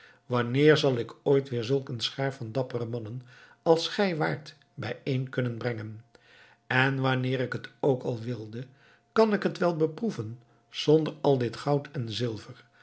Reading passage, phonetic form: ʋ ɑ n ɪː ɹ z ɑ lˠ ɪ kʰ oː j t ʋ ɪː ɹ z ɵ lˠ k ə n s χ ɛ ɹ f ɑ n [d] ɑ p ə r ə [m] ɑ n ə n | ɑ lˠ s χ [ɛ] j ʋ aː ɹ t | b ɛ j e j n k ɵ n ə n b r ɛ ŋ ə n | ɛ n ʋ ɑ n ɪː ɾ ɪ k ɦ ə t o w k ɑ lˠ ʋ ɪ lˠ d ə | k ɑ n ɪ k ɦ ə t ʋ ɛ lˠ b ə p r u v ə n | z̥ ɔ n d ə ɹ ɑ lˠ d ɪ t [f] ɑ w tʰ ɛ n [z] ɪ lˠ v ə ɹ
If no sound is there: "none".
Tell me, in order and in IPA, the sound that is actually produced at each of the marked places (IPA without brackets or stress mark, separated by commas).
d, m, ɛ, χ, z